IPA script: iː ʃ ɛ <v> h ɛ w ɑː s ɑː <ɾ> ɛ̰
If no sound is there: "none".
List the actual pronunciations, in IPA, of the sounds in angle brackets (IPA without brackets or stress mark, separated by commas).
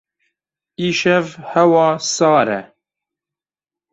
v, ɾ